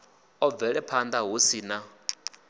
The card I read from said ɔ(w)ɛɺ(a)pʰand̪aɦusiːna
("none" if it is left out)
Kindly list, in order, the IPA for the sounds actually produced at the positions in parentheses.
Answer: v, ɛ

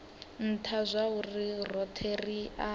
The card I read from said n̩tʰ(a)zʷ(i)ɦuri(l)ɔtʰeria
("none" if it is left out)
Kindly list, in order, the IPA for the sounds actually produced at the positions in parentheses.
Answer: a, a, r

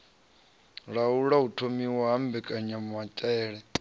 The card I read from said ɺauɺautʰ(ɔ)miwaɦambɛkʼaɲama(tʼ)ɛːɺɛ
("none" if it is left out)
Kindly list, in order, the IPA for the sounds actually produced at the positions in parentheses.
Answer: o, tʼ

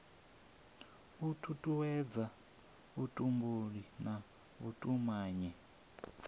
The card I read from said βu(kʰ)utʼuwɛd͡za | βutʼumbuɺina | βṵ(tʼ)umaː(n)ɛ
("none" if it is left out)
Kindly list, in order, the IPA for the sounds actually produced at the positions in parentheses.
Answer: tʰ, tʼ, ɲ

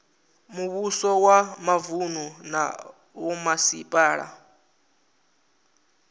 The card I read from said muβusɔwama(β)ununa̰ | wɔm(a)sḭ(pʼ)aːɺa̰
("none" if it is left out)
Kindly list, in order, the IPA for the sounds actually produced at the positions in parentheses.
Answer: v, a, pʼ

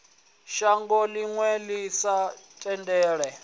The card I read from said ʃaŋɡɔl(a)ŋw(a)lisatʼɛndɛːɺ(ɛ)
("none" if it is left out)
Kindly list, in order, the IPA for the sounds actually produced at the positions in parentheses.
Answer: i, ɛ, ɛ

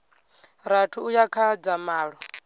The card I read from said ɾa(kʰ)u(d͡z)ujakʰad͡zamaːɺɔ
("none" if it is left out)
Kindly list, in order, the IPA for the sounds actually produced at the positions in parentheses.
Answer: tʰ, none

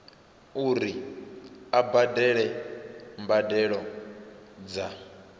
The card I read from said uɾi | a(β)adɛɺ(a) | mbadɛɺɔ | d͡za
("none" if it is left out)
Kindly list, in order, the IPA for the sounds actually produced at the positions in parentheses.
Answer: b, ɛ

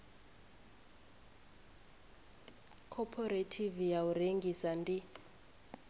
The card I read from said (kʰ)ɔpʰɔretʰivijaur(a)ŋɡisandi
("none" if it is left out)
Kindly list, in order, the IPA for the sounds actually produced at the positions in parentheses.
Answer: kʰ, e

